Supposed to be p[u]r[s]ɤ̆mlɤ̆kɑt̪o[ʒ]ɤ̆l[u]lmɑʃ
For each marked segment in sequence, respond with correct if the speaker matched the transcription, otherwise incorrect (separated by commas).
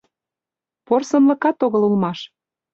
incorrect, correct, incorrect, correct